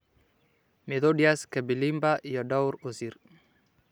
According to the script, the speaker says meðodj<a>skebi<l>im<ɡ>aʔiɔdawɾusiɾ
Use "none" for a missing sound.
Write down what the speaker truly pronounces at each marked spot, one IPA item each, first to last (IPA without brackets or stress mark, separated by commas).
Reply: a, l, b